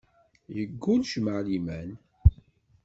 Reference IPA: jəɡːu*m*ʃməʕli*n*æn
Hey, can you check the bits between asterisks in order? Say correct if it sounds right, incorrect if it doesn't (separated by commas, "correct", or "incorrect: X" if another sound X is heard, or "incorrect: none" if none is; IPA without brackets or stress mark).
incorrect: n, incorrect: m